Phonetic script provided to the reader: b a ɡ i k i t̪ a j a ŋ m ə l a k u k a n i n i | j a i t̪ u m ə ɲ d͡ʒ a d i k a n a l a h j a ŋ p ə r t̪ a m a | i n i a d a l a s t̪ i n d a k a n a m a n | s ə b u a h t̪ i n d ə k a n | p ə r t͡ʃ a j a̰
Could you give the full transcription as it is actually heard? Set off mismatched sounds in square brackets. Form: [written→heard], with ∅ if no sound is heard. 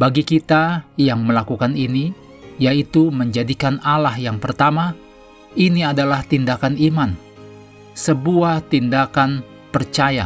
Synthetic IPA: b a ɡ i k i t̪ a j a ŋ m ə l a k u k a n i n i | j a i t̪ u m ə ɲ d͡ʒ a d i k a n a l a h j a ŋ p ə r t̪ a m a | i n i a d a l a [s→h] t̪ i n d a k a n [a→i] m a n | s ə b u a h t̪ i n d [ə→a] k a n | p ə r t͡ʃ a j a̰